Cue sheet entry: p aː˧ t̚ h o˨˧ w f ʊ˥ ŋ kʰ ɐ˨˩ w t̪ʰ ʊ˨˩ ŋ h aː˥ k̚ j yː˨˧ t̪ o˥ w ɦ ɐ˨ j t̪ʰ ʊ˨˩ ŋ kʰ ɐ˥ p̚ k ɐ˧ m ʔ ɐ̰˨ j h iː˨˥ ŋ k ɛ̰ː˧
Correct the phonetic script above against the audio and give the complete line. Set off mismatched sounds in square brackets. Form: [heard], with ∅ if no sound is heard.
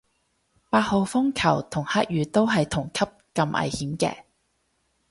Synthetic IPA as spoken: p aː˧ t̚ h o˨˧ w f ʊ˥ ŋ kʰ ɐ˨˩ w t̪ʰ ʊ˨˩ ŋ h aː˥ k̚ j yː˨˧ t̪ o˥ w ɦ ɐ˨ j t̪ʰ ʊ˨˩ ŋ kʰ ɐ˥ p̚ k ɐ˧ m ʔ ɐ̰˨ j h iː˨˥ [m] k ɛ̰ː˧